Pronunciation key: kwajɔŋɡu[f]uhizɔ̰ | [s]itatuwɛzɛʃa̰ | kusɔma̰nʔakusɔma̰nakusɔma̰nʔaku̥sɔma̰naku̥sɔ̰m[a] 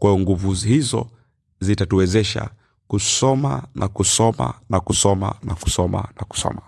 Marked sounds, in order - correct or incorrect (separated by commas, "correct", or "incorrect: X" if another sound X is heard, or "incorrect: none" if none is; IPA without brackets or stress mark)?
incorrect: v, incorrect: z, correct